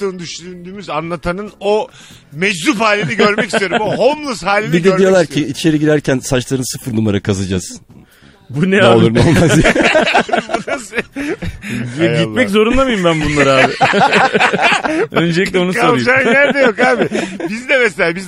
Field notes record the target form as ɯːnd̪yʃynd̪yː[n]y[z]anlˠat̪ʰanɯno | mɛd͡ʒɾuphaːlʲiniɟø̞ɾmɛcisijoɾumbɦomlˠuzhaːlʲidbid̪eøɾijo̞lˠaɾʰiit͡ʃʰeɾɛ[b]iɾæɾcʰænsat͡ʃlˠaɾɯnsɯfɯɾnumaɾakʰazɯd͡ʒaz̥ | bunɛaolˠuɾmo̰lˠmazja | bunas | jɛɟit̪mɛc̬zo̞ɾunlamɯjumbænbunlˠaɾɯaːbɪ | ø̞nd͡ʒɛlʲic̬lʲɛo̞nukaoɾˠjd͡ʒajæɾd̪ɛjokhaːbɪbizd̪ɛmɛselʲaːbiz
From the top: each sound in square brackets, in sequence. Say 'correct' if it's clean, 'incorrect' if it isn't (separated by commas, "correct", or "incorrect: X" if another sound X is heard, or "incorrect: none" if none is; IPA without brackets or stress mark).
incorrect: m, correct, incorrect: ɟ